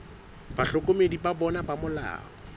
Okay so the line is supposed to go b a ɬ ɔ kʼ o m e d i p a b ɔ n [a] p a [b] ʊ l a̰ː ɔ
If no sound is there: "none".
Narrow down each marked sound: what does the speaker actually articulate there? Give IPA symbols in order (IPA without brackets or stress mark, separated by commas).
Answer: a, m